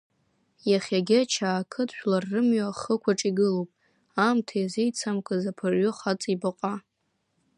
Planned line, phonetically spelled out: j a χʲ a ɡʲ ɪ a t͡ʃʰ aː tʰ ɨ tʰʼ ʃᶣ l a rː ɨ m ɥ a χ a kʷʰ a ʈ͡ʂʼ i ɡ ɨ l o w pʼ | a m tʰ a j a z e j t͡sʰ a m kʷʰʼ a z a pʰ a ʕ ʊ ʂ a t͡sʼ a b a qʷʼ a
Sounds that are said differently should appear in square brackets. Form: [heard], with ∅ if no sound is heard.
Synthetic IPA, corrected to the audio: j a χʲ a ɡʲ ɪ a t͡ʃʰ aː [kʰ] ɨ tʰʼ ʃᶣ l a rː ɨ m ɥ a χ [ə] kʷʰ a ʈ͡ʂʼ i ɡ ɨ l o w pʼ | a m tʰ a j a z e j t͡sʰ a m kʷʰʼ a z a pʰ a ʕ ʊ [χ] a t͡sʼ [i] b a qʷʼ a

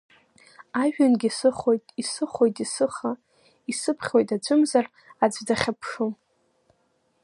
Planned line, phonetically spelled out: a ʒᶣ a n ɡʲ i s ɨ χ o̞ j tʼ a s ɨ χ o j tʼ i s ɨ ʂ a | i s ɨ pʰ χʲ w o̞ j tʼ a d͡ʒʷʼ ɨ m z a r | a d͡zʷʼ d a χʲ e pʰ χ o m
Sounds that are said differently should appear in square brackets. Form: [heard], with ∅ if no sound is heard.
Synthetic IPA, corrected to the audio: a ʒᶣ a n ɡʲ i s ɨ χ o̞ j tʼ [i] s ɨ χ o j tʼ i s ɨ [χ] a | i s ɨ pʰ χʲ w o̞ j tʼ a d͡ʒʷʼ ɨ m z a r | a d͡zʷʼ d a χʲ [a] pʰ [ʂ] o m

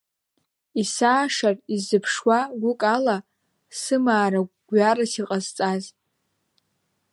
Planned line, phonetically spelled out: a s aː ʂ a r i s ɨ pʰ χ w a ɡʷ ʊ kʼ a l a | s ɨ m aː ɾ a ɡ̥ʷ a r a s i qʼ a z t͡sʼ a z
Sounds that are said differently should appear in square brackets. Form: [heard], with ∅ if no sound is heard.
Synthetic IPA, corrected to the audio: [i] s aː ʂ a r i [z] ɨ pʰ [ʂ] w a ɡʷ ʊ kʼ a l a | s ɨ m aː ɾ a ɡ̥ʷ a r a s i qʼ a z t͡sʼ a z

